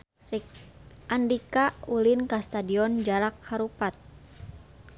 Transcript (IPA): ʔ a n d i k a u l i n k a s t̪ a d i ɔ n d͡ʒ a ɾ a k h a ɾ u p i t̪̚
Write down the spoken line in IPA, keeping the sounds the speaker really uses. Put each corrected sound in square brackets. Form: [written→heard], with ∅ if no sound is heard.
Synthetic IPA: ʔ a n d i k a u l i n k a s t̪ a d i ɔ n d͡ʒ a ɾ a k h a ɾ u p [i→a] t̪̚

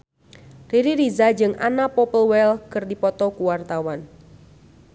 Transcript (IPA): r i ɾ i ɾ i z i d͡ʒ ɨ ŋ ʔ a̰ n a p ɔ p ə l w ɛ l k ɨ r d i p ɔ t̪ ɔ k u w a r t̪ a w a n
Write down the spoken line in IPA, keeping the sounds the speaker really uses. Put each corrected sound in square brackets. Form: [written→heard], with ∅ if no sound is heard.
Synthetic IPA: r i ɾ i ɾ i z [i→a] d͡ʒ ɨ ŋ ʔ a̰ n a p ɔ p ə l w ɛ l k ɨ r d i p ɔ t̪ ɔ k u w a r t̪ a w a n

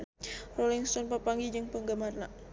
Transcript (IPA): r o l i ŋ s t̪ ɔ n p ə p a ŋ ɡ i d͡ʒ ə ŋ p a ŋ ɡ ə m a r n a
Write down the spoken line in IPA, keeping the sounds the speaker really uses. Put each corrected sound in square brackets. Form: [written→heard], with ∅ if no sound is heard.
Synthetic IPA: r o l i ŋ s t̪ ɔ n p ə p a ŋ ɡ i d͡ʒ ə ŋ p [a→ə] ŋ ɡ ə m a r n a

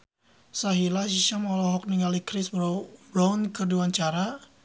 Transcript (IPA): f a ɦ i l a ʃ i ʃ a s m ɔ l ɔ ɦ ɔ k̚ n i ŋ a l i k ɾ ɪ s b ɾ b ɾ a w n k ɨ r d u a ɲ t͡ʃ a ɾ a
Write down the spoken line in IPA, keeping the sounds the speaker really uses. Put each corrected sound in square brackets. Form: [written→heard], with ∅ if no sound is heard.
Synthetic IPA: [f→s] a ɦ i l a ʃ i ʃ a [s→∅] m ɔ l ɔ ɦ ɔ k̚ n i ŋ a l i k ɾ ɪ s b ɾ b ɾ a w n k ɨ r d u a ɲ t͡ʃ a ɾ a

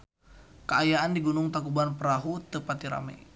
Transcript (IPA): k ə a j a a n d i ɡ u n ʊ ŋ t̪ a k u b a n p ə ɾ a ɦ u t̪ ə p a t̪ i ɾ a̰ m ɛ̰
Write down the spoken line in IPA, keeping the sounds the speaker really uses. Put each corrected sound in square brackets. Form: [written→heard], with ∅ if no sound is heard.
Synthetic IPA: k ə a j a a n d i ɡ u n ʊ ŋ t̪ a k u b a n p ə ɾ a ɦ u t̪ ə p a t̪ i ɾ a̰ m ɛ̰

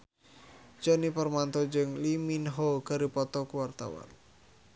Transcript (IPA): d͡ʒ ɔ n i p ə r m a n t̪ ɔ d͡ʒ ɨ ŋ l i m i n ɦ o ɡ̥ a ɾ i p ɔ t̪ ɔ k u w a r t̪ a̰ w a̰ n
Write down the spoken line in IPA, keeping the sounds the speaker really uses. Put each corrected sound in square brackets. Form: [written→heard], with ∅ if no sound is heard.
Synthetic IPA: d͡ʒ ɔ n i p ə r m a n t̪ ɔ d͡ʒ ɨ ŋ l i m i n ɦ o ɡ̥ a ɾ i p ɔ t̪ ɔ k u w a r t̪ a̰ w a̰ n

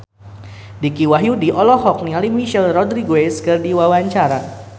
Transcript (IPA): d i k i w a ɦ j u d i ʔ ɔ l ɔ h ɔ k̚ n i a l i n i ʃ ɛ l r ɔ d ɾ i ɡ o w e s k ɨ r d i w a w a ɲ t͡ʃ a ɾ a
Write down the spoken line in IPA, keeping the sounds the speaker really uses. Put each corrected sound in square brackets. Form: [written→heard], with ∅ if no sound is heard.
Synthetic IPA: d i k i w a ɦ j u d i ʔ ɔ l ɔ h ɔ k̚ n i a l i [n→m] i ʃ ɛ l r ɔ d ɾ i ɡ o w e s k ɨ r d i w a w a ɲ t͡ʃ a ɾ a

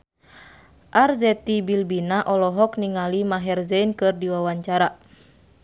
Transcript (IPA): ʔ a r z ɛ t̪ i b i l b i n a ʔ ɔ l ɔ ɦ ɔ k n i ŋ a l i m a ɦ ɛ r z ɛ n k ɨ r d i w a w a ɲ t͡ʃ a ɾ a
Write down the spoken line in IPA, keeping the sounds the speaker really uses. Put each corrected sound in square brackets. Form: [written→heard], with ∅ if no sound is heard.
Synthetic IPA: ʔ a r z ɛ t̪ i b i l b i n a ʔ ɔ l ɔ ɦ ɔ k n i ŋ a l i m a ɦ ɛ r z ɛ n k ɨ r d i w a w a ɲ t͡ʃ a ɾ a

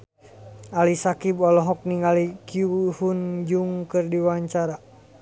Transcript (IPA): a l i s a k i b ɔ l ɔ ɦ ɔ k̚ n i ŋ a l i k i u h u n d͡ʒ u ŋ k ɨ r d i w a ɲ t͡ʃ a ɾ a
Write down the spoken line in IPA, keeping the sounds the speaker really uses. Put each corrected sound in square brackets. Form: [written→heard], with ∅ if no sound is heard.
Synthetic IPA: a l i s a k i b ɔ l ɔ ɦ ɔ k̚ n i ŋ a l i k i u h u n d͡ʒ u ŋ k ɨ r d i w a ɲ t͡ʃ a ɾ a

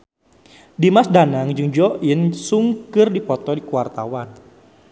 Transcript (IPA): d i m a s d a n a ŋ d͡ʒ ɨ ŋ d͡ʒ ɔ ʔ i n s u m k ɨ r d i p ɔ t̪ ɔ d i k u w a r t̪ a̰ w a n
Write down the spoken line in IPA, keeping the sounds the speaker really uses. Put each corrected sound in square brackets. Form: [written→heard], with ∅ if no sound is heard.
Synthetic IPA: d i m a s d a n a ŋ d͡ʒ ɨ ŋ d͡ʒ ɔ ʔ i n s u [m→ŋ] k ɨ r d i p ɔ t̪ ɔ d i k u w a r t̪ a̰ w a n

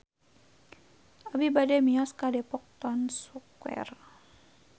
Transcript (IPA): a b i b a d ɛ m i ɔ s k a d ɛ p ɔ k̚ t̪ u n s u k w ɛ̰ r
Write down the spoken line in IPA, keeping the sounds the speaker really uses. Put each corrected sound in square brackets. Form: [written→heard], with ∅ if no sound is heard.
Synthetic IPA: a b i b a d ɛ m i ɔ s k a d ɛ p ɔ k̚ t̪ [u→ɔ] n s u k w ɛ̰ r

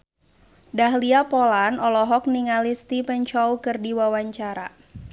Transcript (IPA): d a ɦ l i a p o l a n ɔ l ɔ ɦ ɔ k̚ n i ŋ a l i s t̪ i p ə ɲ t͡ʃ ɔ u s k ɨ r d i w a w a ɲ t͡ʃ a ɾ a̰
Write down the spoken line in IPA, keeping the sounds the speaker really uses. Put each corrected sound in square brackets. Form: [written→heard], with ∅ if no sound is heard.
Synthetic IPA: d a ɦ l i a p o l a n ɔ l ɔ ɦ ɔ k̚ n i ŋ a l i s t̪ i p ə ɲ t͡ʃ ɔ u [s→∅] k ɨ r d i w a w a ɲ t͡ʃ a ɾ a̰

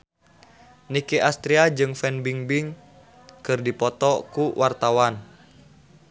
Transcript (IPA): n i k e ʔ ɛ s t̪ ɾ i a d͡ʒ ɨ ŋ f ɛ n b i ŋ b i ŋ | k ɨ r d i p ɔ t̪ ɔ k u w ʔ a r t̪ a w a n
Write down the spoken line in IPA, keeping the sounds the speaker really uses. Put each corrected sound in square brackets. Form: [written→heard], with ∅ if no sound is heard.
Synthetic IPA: n i k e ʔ [ɛ→a] s t̪ ɾ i a d͡ʒ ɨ ŋ f ɛ n b i ŋ b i ŋ | k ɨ r d i p ɔ t̪ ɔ k u w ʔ a r t̪ a w a n

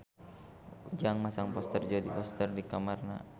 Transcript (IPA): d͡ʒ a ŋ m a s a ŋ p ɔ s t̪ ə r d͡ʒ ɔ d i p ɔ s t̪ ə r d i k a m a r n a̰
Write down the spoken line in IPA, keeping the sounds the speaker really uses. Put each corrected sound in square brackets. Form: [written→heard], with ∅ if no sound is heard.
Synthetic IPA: d͡ʒ a ŋ m a s a ŋ p ɔ s t̪ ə r d͡ʒ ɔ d i p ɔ s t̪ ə r d i k a m a r n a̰

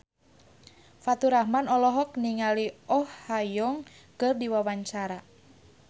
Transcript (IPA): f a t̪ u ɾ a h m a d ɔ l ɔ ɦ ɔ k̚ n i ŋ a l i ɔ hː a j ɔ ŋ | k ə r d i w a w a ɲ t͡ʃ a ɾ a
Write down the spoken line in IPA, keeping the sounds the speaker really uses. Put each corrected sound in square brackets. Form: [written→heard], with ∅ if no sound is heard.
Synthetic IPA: f a t̪ u ɾ a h m a [d→n] ɔ l ɔ ɦ ɔ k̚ n i ŋ a l i ɔ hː a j ɔ ŋ | k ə r d i w a w a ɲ t͡ʃ a ɾ a

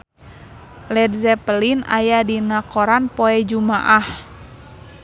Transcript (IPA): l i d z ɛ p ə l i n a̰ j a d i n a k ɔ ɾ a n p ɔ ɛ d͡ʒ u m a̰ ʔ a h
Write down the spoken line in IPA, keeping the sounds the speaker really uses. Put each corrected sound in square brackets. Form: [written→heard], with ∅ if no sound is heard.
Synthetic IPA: l [i→ɛ] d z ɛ p ə l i n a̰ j a d i n a k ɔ ɾ a n p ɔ ɛ d͡ʒ u m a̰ ʔ a h

